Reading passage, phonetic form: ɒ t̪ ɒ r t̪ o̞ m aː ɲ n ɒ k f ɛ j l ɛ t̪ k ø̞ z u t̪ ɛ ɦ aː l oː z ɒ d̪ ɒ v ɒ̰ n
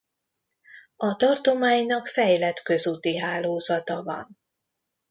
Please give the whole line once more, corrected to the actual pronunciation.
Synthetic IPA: ɒ t̪ ɒ r t̪ o̞ m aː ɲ n ɒ k f ɛ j l ɛ t̪ k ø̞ z u t̪ i ɦ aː l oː z ɒ t̪ ɒ v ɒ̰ n